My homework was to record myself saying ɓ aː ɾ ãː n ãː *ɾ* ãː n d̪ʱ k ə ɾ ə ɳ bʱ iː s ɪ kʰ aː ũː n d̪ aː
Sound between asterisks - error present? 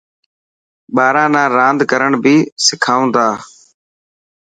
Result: no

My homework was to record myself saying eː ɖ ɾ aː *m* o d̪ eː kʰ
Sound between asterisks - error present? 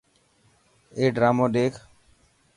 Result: no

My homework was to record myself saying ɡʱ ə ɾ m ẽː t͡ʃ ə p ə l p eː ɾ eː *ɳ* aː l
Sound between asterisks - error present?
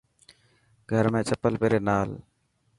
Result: yes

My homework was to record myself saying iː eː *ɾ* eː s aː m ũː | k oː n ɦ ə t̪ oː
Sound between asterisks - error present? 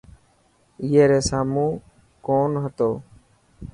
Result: no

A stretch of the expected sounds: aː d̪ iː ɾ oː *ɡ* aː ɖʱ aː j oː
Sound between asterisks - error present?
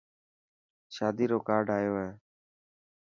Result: yes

